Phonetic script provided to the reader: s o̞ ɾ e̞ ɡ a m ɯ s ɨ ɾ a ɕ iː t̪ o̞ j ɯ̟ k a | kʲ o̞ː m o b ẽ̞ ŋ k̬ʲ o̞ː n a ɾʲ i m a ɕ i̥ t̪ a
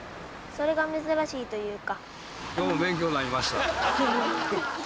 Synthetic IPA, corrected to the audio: s o̞ ɾ e̞ ɡ a m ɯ z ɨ ɾ a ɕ iː t̪ o̞ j ɯ̟ː k a | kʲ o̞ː m o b ẽ̞ ŋ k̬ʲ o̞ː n a ɾʲ i m a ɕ i̥ t̪ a